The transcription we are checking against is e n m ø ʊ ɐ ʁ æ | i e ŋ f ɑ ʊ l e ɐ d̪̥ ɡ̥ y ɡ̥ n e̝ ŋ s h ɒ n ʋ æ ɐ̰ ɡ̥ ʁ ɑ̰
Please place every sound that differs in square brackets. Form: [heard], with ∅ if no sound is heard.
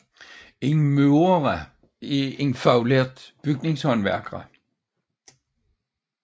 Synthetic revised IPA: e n m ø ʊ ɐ ʁ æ | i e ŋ f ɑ ʊ l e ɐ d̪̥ [b̥] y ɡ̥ n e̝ ŋ s h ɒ n ʋ æ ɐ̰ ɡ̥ ʁ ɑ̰